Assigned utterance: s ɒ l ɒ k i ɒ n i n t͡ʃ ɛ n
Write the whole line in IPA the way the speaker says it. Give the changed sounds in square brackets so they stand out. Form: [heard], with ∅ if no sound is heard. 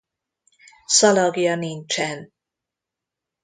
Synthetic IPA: s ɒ l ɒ [ɡ] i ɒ n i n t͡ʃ ɛ n